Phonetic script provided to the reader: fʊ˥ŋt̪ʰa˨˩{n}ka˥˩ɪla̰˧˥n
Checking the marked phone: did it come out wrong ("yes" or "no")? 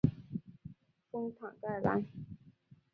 yes